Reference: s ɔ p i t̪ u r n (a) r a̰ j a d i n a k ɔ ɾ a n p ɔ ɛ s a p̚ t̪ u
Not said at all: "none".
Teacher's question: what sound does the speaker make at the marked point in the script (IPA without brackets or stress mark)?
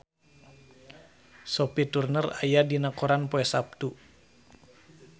ə